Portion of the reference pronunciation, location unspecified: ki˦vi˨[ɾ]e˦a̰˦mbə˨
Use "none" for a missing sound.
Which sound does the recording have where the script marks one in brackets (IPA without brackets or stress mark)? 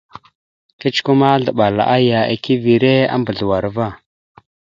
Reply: ɾ